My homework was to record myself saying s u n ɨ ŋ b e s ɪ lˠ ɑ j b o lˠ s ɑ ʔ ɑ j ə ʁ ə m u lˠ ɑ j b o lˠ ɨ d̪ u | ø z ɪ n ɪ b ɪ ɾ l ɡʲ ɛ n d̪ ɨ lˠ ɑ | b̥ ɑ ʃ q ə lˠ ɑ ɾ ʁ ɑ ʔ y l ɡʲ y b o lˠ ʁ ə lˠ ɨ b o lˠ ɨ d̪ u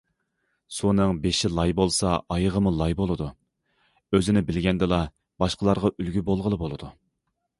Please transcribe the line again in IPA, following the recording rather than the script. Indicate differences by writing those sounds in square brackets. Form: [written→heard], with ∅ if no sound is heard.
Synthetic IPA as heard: s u n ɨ ŋ b e [s→ʃ] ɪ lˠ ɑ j b o lˠ s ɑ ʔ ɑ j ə ʁ ə m u lˠ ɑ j b o lˠ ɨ d̪ u | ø z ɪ n ɪ b ɪ [ɾ→∅] l ɡʲ ɛ n d̪ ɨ lˠ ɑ | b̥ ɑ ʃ q ə lˠ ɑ ɾ ʁ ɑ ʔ y l ɡʲ y b o lˠ ʁ ə lˠ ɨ b o lˠ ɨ d̪ u